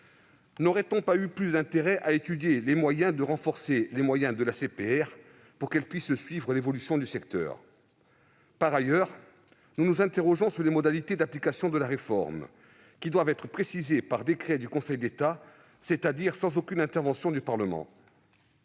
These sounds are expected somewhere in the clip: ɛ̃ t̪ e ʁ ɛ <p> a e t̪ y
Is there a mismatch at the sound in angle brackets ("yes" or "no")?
yes